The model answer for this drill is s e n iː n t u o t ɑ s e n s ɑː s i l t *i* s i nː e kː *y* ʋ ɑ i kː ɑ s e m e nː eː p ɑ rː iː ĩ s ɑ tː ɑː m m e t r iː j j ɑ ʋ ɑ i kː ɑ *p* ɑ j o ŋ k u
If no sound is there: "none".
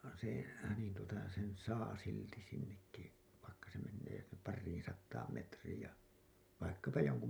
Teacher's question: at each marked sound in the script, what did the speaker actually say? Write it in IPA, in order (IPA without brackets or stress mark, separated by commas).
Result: i, i, p